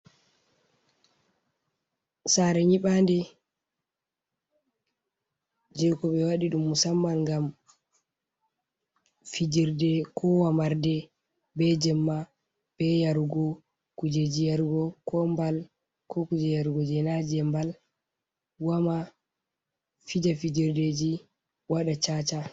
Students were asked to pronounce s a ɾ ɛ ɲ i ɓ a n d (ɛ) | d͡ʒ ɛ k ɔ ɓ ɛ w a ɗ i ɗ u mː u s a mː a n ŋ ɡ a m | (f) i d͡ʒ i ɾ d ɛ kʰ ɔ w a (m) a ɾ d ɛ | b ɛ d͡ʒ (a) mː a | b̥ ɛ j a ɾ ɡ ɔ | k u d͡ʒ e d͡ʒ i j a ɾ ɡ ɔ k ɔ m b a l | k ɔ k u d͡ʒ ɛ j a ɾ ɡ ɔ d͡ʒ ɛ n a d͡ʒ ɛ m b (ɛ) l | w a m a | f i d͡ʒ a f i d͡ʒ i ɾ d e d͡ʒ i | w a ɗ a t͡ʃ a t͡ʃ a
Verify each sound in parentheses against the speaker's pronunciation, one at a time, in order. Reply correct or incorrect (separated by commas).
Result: correct, correct, correct, incorrect, incorrect